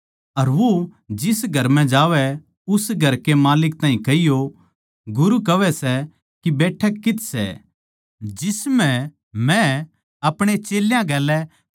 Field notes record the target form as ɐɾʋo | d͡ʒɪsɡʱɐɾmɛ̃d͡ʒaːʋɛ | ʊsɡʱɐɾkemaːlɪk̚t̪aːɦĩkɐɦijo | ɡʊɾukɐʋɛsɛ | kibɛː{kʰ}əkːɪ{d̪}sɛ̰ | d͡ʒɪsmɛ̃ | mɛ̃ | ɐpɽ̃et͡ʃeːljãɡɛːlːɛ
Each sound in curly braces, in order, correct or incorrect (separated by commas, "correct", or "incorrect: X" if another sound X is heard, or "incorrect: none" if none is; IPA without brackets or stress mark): incorrect: ʈʰ, incorrect: t̪